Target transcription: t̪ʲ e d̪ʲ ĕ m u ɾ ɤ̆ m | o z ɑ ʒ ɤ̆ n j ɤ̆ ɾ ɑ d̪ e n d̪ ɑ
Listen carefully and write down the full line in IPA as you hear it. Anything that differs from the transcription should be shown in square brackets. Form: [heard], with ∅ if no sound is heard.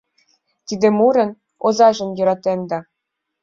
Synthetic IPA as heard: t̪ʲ [i] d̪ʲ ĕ m u ɾ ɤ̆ [n] | o z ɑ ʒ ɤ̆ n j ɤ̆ ɾ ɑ [t̪] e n d̪ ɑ